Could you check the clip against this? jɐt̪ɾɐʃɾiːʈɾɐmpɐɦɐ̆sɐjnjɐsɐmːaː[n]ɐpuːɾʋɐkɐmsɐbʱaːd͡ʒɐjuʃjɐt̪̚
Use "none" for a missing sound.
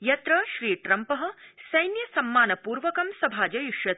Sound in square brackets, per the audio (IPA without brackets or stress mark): n